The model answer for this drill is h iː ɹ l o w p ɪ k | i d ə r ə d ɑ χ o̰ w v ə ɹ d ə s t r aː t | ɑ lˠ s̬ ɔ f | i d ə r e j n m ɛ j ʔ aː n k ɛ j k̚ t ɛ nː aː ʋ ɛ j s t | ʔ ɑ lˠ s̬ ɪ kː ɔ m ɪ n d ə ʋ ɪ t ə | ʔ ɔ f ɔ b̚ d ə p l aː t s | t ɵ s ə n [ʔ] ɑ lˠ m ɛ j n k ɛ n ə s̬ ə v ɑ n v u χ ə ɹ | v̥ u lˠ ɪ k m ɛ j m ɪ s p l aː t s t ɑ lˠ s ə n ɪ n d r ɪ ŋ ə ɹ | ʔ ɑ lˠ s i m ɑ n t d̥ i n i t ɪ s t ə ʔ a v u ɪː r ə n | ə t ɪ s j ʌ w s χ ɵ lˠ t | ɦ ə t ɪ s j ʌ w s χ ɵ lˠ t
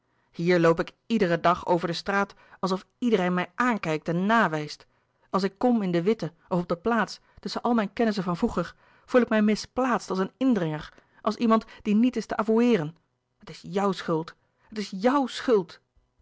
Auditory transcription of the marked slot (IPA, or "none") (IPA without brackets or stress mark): ʔ